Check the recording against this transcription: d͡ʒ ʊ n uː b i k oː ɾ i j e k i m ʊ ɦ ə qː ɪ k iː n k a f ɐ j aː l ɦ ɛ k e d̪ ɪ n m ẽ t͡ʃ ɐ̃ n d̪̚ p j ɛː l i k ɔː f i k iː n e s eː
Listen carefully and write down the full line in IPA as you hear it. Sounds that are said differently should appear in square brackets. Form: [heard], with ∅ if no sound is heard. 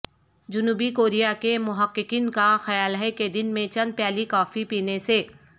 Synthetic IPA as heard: d͡ʒ ʊ n uː b i k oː ɾ i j [a] k [e] m ʊ ɦ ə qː ɪ k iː n k a [x] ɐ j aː l ɦ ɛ k e d̪ ɪ n m ẽ t͡ʃ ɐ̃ n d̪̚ p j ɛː l i k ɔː f i [p] iː n e s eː